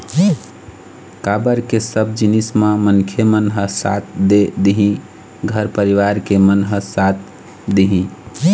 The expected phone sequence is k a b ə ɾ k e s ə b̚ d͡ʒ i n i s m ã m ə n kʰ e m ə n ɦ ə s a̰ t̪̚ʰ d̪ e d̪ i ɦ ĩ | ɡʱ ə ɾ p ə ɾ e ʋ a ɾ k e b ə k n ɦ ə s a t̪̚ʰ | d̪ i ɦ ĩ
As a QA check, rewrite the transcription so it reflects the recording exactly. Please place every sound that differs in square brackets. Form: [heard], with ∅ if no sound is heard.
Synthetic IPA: k a b ə ɾ k e s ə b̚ d͡ʒ i n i s m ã m ə n kʰ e m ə n ɦ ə s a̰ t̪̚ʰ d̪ e d̪ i ɦ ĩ | ɡʱ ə ɾ p ə ɾ [i] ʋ a ɾ k e [m] ə [∅] n ɦ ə s a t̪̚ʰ | d̪ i ɦ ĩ